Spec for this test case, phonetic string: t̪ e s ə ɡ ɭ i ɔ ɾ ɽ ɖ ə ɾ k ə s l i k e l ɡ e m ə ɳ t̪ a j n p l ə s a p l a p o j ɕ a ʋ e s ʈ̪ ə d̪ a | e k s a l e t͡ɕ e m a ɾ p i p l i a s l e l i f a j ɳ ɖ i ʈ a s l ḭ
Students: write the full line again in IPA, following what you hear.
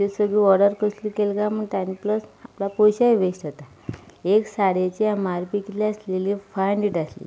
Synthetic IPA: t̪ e s ə ɡ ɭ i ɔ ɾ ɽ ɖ ə ɾ k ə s l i k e l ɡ a m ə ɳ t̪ a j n p l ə s a p l a p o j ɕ a ʋ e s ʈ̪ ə t̪ a | e k s a ɽ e t͡ɕ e m a ɾ p i k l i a s l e l i f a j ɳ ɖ i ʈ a s l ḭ